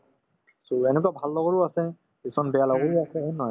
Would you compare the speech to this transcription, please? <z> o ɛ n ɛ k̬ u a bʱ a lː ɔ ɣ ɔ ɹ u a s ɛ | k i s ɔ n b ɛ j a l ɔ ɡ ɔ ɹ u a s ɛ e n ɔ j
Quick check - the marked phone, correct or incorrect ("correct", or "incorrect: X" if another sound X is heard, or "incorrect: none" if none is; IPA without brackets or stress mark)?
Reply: incorrect: s